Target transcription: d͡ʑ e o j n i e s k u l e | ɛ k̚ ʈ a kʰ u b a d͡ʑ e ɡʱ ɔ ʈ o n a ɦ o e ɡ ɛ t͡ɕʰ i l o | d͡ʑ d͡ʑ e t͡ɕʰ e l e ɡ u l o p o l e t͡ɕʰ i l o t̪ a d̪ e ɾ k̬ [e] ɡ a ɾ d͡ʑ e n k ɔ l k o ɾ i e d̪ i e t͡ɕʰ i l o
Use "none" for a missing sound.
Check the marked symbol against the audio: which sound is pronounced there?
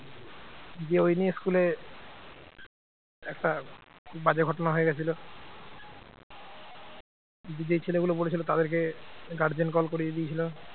e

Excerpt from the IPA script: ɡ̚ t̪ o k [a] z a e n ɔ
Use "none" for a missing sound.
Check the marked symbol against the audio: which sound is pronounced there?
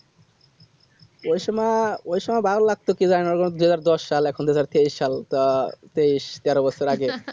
i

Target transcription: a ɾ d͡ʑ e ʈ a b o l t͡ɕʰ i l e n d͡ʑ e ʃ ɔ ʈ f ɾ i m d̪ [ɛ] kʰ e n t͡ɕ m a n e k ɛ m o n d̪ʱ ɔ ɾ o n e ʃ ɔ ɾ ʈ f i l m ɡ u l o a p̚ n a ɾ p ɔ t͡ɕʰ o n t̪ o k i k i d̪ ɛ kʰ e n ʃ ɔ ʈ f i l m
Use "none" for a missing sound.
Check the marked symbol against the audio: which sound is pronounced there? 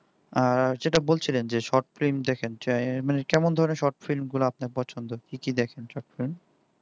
ɛ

